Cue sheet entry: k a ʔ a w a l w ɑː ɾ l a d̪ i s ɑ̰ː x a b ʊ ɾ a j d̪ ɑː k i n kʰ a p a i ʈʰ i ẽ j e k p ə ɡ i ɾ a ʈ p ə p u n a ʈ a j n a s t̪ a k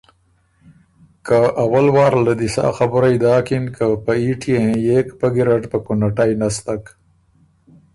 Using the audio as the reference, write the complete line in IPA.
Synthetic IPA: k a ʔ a w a l w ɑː ɾ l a d̪ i s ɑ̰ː x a b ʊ ɾ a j d̪ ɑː k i n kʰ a p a i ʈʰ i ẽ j e k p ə ɡ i ɾ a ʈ p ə k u n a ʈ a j n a s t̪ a k